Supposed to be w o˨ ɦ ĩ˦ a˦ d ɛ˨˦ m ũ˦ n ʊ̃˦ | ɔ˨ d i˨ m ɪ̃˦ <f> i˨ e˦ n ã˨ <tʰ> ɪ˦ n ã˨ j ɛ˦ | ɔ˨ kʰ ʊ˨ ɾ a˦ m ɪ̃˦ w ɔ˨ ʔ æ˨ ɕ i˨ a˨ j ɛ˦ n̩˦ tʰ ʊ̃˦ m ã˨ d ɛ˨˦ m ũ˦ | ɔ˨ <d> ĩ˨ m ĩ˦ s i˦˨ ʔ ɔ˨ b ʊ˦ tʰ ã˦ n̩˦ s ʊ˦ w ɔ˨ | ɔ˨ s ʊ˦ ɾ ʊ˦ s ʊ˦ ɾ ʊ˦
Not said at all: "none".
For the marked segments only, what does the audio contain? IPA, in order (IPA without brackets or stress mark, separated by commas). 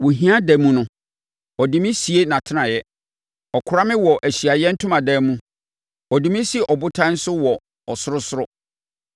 s, tʰ, d